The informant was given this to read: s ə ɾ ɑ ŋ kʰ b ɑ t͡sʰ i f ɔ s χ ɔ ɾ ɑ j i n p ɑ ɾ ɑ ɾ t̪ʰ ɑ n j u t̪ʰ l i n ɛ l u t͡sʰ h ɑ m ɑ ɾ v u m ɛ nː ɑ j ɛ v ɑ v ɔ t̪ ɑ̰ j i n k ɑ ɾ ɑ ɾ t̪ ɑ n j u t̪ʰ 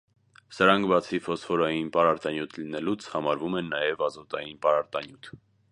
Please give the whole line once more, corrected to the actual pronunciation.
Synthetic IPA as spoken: s ə ɾ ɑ ŋ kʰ b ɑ t͡sʰ i f ɔ s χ ɔ ɾ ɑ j i n p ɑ ɾ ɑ ɾ t̪ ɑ n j u t̪ʰ l i n ɛ l u t͡sʰ h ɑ m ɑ ɾ v u m ɛ nː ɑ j ɛ v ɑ z ɔ t̪ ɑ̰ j i n p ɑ ɾ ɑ ɾ t̪ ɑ n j u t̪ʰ